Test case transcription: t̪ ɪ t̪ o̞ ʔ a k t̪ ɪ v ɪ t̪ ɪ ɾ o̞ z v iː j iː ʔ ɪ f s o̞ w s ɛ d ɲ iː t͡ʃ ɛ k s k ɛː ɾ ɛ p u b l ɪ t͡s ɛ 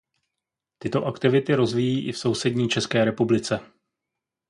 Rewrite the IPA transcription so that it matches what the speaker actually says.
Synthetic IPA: t̪ ɪ t̪ o̞ ʔ a k t̪ ɪ v ɪ t̪ ɪ ɾ o̞ z v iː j iː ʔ ɪ f s o̞ w s ɛ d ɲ iː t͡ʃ ɛ s k ɛː ɾ ɛ p u b l ɪ t͡s ɛ